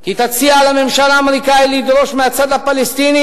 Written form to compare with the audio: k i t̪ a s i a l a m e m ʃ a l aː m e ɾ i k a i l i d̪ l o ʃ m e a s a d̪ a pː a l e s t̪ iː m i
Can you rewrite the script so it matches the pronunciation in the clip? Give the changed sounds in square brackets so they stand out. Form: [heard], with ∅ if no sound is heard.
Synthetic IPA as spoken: k i t̪ a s i a l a m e m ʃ a l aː m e ɾ i k a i l i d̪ [ɾ] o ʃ m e a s a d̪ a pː a l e s t̪ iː [n] i